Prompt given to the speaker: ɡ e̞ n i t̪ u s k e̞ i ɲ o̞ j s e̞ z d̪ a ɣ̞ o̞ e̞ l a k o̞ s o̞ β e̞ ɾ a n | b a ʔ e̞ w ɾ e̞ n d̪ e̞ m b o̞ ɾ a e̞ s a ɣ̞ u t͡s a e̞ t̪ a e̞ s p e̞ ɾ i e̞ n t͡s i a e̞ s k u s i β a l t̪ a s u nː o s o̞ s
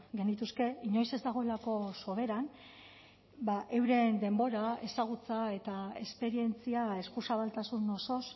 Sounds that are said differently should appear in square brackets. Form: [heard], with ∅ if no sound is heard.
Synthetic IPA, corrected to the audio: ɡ e̞ n i t̪ u s k e̞ i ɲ o̞ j s e̞ z d̪ a ɣ̞ o̞ e̞ l a k o̞ s o̞ β e̞ ɾ a n | b a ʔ e̞ w ɾ e̞ n d̪ e̞ m b o̞ ɾ a e̞ s a ɣ̞ u t͡s a e̞ t̪ a e̞ s p e̞ ɾ i e̞ n t͡s i a e̞ s k u s [a] β a l t̪ a s u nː o s o̞ s